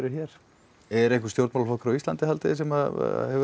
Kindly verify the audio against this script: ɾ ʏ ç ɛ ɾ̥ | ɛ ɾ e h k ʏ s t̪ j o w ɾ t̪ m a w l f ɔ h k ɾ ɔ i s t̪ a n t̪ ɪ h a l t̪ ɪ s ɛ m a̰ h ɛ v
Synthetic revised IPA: ɾ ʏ ç ɛ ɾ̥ | ɛ ɾ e h k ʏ s t̪ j o w ɾ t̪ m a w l f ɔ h k ɾ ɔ i s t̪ a n t̪ ɪ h a l t̪ ɪ s ɛ m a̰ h ɛ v